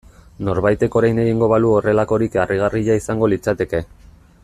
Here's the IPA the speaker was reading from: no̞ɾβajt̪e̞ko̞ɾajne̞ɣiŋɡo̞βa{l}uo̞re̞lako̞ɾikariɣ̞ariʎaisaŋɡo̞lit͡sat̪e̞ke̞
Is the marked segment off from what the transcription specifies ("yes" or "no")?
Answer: no